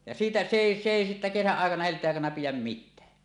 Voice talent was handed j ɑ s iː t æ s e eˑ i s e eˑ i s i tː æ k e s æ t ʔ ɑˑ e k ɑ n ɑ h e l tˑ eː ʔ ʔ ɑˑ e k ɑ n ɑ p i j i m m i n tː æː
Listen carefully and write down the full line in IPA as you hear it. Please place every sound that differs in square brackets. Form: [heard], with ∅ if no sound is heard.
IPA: j ɑ s iː t æ s e eˑ i s e eˑ i s i tː æ k e s æ [ʔ] ʔ ɑˑ e k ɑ n ɑ h e l tˑ eː ʔ ʔ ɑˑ e k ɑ n ɑ p i j [æ] m m i [∅] tː æː